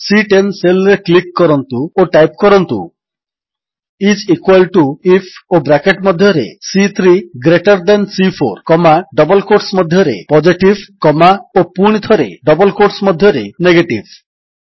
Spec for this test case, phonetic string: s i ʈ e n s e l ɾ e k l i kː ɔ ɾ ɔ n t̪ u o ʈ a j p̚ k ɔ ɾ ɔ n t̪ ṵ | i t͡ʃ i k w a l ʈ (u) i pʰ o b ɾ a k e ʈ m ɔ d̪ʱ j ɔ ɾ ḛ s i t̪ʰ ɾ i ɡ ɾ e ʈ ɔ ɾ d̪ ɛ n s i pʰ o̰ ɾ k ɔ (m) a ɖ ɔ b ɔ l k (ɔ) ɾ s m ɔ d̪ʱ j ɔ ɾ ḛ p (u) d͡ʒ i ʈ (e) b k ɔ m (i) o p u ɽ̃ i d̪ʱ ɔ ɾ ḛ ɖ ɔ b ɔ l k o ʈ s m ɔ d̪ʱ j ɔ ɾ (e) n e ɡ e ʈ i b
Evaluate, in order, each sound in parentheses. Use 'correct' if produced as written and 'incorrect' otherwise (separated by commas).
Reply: correct, correct, incorrect, incorrect, incorrect, incorrect, correct